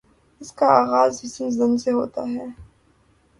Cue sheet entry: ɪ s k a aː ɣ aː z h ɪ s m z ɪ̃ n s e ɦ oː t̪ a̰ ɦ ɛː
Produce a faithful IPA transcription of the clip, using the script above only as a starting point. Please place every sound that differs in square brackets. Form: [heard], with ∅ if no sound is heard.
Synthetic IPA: ɪ s k a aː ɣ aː z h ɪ s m z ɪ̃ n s e ɦ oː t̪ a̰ ɦ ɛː